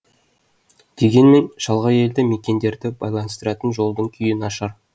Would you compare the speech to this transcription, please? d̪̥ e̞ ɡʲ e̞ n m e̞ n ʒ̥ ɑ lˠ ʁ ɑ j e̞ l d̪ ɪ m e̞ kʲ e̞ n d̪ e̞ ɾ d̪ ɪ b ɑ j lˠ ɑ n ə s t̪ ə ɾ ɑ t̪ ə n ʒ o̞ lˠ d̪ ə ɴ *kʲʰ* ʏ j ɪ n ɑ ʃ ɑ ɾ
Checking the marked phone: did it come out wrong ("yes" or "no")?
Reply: no